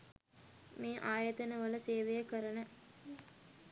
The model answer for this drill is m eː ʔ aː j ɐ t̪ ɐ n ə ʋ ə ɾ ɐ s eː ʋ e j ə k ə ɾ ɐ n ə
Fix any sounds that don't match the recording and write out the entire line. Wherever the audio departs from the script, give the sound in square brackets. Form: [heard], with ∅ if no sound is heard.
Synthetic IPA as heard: m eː ʔ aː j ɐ t̪ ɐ n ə ʋ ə [l] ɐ s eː ʋ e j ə k ə ɾ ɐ n ə